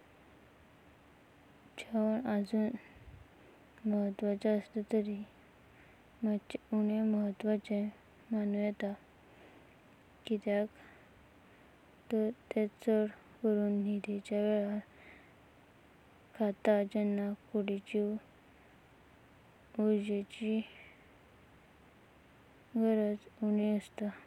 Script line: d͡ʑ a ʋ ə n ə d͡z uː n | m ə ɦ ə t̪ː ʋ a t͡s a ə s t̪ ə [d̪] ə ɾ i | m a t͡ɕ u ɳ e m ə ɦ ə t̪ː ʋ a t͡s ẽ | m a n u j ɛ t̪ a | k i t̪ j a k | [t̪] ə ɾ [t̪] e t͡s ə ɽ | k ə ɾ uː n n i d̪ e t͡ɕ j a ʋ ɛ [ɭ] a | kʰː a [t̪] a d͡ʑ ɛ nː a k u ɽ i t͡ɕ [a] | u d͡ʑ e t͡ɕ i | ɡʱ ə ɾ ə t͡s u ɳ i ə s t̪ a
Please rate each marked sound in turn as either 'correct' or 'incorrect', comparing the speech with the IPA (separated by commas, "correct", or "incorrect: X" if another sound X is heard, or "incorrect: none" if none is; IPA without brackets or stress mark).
incorrect: t̪, correct, correct, correct, correct, incorrect: i